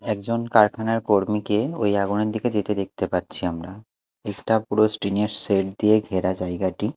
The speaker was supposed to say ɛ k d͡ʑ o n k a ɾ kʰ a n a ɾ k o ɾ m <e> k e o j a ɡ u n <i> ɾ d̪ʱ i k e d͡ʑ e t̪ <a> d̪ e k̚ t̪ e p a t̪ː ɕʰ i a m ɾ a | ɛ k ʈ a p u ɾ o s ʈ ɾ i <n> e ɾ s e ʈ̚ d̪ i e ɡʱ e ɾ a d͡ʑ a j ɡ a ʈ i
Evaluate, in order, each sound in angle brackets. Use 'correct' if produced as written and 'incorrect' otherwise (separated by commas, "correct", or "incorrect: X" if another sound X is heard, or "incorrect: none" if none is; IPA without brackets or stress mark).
incorrect: i, incorrect: e, incorrect: e, correct